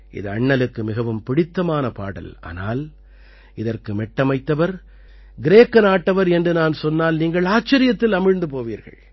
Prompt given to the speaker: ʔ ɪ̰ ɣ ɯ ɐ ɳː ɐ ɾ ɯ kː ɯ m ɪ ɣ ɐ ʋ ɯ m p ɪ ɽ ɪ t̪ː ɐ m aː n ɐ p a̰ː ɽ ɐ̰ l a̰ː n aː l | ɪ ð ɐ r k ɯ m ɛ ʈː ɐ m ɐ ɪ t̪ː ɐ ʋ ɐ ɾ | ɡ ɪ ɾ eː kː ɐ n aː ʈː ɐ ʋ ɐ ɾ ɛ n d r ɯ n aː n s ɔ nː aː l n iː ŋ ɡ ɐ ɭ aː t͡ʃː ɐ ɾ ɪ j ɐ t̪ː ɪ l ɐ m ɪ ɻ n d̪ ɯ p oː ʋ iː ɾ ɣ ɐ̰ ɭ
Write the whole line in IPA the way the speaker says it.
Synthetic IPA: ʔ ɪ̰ ð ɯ ɐ ɳː ɐ l ɯ kː ɯ m ɪ ɣ ɐ ʋ ɯ m p ɪ ɽ ɪ t̪ː ɐ m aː n ɐ p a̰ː ɽ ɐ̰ l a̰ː n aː l | ɪ ð ɐ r k ɯ m ɛ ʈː ɐ m ɐ ɪ t̪ː ɐ ʋ ɐ ɾ | ɡ ɪ ɾ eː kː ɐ n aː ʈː ɐ ʋ ɐ ɾ ɛ n d r ɯ n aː n s ɔ nː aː l n iː ŋ ɡ ɐ ɭ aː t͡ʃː ɐ ɾ ɪ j ɐ t̪ː ɪ l ɐ m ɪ ɻ n d̪ ɯ p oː ʋ iː ɾ ɣ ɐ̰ ɭ